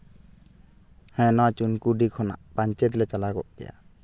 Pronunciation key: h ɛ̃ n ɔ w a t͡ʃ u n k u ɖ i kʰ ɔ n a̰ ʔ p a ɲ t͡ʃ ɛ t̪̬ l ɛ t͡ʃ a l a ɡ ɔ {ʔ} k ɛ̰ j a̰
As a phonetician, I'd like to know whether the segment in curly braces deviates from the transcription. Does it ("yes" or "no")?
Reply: no